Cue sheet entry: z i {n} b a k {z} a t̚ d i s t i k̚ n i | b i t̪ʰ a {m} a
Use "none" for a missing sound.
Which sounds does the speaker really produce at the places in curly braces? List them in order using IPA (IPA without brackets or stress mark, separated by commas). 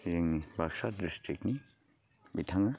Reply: ŋ, s, ŋ